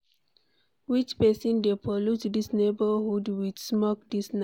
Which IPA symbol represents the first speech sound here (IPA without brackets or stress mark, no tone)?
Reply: w